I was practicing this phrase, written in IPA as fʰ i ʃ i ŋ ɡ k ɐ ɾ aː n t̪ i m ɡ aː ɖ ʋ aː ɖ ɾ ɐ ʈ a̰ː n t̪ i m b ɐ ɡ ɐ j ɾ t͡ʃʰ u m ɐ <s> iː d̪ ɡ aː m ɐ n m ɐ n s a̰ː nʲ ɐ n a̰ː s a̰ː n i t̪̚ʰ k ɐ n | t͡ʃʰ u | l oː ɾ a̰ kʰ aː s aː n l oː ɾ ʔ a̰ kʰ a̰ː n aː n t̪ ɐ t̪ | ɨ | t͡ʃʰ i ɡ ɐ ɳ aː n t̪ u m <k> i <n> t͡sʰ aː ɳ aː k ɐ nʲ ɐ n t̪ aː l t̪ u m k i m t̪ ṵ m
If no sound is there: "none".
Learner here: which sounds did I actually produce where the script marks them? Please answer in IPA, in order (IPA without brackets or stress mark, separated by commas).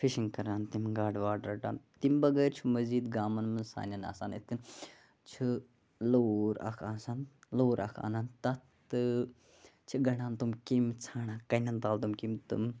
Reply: z, k, m